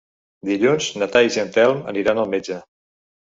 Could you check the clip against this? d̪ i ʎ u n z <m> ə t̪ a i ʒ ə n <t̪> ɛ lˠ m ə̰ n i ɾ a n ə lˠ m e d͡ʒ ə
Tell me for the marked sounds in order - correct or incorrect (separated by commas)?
incorrect, correct